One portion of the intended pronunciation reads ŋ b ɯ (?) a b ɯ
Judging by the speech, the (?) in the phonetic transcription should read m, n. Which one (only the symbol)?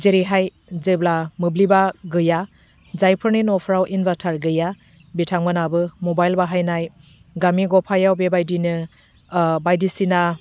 n